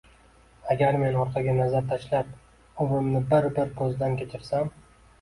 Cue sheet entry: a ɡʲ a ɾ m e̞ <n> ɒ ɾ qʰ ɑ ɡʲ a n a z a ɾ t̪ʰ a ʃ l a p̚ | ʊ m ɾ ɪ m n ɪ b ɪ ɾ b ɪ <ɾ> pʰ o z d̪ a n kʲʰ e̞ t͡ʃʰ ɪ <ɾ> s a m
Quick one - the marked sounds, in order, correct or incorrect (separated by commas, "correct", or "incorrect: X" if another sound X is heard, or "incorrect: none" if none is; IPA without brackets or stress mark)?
correct, correct, correct